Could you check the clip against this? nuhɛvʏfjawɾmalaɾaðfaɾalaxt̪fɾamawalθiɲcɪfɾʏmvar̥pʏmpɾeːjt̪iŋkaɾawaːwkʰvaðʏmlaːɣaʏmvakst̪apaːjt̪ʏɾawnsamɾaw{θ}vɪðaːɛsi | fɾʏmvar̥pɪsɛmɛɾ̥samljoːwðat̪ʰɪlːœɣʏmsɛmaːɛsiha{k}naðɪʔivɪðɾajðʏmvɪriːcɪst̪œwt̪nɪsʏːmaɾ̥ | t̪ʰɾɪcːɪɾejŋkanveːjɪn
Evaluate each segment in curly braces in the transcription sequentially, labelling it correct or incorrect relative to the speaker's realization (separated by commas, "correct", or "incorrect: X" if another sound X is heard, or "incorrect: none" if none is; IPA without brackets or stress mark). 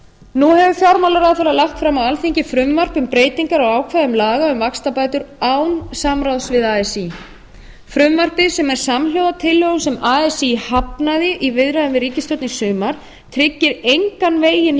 incorrect: s, incorrect: p